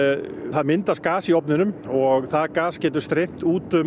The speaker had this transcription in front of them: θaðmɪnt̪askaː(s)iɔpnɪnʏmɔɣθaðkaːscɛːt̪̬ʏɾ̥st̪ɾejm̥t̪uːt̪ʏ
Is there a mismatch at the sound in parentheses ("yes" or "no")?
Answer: no